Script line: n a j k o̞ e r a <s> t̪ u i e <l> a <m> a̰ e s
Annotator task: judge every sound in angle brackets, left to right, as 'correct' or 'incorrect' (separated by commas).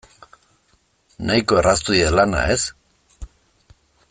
correct, correct, incorrect